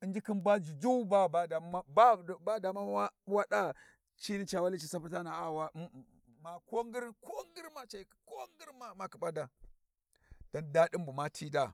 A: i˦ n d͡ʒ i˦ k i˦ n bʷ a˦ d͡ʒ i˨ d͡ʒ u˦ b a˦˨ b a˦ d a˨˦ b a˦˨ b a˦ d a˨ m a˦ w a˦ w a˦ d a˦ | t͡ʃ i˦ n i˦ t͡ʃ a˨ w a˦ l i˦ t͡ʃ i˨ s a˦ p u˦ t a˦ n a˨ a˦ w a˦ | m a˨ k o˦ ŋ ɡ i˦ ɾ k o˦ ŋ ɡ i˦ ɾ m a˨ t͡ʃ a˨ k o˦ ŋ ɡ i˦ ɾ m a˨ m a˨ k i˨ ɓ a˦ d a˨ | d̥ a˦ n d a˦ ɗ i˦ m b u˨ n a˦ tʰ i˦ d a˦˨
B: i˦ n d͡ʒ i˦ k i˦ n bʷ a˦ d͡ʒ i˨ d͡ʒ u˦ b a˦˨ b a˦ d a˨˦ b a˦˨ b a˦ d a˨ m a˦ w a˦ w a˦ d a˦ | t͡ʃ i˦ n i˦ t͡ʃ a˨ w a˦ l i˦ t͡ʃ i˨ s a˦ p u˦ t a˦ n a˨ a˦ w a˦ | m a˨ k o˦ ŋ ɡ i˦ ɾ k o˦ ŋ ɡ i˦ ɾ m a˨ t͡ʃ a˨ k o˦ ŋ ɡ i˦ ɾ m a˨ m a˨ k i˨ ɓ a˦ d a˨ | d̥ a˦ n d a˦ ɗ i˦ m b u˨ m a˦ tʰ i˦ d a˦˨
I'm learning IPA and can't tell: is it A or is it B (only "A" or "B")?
B